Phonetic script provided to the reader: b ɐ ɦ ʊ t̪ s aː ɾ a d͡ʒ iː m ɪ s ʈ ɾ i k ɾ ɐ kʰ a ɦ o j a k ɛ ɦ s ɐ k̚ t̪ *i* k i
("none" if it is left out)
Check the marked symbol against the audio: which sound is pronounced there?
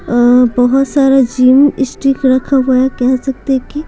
e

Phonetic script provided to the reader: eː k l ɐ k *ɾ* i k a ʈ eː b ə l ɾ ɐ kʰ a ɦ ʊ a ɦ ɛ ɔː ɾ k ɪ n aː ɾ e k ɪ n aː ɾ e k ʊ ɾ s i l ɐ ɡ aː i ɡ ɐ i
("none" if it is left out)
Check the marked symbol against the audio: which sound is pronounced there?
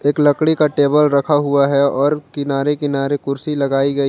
ɽ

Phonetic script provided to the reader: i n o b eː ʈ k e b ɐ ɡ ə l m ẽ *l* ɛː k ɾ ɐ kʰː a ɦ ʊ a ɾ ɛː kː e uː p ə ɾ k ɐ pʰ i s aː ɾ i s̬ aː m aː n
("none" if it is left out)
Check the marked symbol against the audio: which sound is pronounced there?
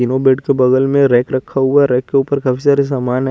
ɾ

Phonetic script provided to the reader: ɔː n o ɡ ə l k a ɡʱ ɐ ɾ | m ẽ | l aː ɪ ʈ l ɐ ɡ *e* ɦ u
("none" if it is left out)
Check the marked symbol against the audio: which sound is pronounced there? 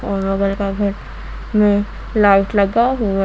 a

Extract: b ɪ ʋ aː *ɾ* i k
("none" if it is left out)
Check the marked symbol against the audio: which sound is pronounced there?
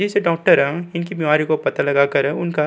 ɾ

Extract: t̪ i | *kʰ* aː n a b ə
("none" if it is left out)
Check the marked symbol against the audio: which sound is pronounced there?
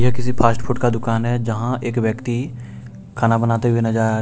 kʰ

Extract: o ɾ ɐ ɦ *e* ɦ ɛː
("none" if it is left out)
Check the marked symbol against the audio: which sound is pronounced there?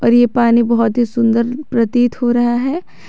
a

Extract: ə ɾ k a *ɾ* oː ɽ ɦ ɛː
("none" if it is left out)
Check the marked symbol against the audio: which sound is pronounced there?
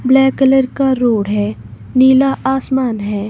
ɾ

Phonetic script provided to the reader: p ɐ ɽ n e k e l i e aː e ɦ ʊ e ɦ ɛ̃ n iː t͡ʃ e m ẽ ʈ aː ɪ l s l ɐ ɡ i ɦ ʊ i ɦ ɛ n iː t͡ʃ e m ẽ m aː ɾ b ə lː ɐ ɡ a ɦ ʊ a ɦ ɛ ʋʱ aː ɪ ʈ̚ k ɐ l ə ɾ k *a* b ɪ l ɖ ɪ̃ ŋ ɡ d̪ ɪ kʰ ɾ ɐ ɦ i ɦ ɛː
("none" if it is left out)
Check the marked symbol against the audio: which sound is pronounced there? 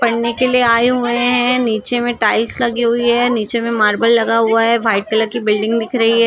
i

